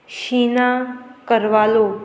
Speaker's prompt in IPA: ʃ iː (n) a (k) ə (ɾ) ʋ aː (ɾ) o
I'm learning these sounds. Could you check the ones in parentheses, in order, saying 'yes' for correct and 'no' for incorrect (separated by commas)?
yes, yes, yes, no